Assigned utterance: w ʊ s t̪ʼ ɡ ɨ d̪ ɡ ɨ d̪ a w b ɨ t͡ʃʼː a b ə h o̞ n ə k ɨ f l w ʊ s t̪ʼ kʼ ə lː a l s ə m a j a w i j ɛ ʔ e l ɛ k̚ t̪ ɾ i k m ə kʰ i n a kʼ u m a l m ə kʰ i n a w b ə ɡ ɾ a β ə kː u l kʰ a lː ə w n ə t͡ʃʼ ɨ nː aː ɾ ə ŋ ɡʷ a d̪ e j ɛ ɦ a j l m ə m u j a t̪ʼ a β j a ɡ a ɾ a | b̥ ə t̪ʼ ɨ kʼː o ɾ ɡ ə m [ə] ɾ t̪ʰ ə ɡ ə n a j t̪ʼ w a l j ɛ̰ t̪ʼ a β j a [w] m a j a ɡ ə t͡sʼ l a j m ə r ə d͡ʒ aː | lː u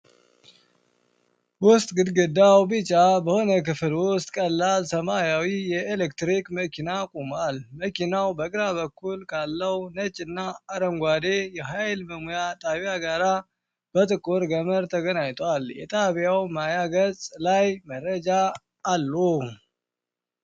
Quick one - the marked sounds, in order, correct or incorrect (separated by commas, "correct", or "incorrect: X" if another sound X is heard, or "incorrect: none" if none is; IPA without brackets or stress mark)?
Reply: correct, correct